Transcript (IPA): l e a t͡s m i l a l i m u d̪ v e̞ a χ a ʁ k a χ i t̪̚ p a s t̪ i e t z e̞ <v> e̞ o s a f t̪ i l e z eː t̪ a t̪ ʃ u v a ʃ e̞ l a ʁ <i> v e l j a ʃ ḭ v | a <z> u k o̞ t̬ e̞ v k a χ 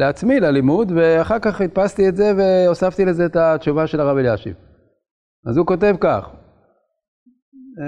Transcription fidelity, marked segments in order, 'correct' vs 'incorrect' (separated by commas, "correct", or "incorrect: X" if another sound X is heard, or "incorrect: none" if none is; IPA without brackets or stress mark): correct, incorrect: a, correct